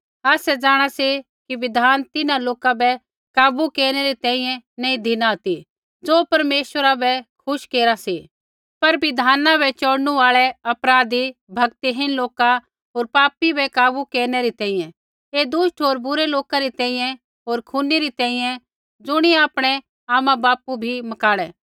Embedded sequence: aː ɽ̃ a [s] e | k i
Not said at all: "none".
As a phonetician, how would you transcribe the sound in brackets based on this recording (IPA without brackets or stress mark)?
s